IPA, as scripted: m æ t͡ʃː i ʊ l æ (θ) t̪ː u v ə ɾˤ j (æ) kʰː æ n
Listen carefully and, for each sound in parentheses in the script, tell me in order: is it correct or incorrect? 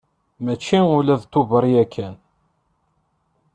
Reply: incorrect, correct

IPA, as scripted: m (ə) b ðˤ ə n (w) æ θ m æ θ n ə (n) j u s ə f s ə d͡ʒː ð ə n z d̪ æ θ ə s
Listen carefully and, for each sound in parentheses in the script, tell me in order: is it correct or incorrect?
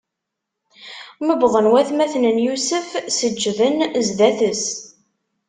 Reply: correct, correct, correct

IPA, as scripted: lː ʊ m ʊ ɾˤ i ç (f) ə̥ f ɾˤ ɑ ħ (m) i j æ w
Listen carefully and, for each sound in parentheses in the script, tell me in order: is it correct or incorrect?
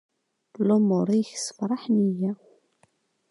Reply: incorrect, incorrect

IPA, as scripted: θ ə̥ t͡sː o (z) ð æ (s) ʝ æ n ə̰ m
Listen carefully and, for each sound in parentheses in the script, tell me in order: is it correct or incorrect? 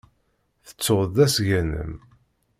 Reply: incorrect, correct

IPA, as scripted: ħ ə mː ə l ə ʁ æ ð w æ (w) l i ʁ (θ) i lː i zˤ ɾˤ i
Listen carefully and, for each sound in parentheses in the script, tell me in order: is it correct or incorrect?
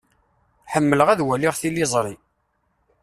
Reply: incorrect, correct

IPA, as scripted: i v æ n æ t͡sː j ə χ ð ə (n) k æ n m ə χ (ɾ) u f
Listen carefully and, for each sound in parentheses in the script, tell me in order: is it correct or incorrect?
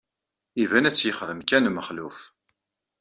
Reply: incorrect, incorrect

